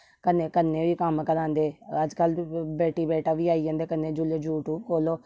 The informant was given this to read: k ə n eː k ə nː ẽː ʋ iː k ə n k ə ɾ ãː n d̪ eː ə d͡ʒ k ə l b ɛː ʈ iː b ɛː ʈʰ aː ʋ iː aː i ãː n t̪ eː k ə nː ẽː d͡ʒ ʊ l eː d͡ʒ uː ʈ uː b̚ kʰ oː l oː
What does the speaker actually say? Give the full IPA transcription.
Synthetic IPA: k ə n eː k ə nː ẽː ʋ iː k ə m k ə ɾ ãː n d̪ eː ə d͡ʒ k ə l b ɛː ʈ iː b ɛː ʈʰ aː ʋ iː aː i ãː n d̪ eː k ə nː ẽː d͡ʒ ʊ l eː d͡ʒ uː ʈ uː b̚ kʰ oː l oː